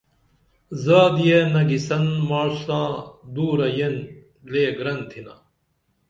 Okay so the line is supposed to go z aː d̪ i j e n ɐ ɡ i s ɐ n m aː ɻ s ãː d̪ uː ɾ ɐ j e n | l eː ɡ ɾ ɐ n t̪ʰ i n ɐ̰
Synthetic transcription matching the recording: z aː d̪ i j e n ɐ ɡ i s ɐ n m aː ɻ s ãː d̪ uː ɾ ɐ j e n | l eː ɡ ɾ ɐ n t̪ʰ i n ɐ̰